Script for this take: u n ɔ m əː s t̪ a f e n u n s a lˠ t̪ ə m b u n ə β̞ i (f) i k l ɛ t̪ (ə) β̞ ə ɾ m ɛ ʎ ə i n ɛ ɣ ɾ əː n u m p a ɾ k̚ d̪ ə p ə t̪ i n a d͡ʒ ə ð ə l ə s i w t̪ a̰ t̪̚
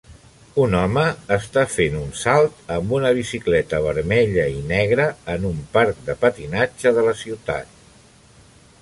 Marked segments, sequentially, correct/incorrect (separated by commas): incorrect, correct